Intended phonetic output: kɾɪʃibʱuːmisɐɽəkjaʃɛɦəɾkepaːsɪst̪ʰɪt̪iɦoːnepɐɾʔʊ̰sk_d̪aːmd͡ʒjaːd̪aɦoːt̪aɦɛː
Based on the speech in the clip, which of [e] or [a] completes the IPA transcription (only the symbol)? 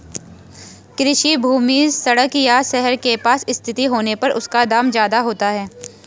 a